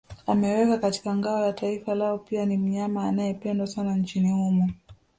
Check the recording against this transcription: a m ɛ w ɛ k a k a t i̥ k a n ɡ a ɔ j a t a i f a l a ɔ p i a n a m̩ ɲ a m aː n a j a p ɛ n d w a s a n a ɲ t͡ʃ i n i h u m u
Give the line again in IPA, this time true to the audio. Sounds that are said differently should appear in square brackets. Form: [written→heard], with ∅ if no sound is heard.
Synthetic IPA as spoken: a m ɛ w ɛ k a k a t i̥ k a [n→ŋ] ɡ a ɔ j a t a i f a l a ɔ p i a n [a→i] m̩ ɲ a m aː n a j [a→ɛ] p ɛ n d w a s a n a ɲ t͡ʃ i n i h u m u